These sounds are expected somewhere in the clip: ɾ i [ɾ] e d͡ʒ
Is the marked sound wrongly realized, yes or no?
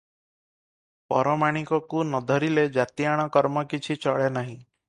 yes